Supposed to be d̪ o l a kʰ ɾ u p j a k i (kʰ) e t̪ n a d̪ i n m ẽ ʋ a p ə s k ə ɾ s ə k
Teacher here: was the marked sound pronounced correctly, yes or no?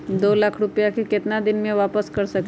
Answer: no